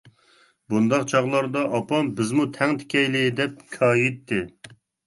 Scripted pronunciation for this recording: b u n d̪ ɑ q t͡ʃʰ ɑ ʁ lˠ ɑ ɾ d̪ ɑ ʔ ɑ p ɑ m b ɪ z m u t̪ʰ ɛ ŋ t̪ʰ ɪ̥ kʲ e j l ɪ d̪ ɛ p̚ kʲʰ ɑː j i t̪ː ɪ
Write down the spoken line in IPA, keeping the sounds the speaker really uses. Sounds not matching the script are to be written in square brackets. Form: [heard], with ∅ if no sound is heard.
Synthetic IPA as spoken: b u n d̪ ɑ q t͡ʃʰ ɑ ʁ lˠ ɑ ɾ d̪ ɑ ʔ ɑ p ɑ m b ɪ z m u t̪ʰ ɛ ŋ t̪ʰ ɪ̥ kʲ [ɛ] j l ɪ d̪ ɛ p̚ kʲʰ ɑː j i t̪ː ɪ